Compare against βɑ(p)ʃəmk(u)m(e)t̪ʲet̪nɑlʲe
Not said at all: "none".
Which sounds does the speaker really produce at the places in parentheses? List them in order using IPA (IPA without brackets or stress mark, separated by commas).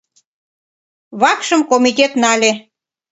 k, o, i